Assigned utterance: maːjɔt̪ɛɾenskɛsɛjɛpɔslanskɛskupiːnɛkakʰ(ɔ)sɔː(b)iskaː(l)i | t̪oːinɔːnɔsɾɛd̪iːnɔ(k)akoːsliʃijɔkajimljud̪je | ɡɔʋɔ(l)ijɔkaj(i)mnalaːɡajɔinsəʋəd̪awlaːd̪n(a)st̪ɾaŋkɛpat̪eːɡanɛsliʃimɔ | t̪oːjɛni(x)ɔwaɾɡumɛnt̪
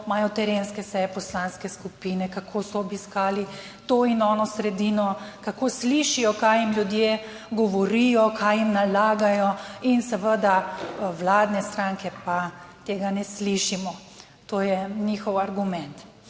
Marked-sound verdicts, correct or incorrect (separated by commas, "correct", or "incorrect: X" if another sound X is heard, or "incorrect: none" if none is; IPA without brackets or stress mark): incorrect: o, correct, correct, correct, incorrect: ɾ, correct, incorrect: ɛ, correct